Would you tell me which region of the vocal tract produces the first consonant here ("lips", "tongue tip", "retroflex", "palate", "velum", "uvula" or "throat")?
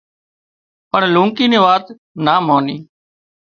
lips